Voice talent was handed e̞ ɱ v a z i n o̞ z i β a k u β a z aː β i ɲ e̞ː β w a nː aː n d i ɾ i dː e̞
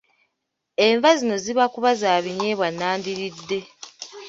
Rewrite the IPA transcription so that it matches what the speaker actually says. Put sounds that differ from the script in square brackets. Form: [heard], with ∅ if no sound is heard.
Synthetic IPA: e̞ ɱ v a z i n o̞ z i β a k u β a z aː β i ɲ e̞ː β w a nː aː n d i ɾ i dː e̞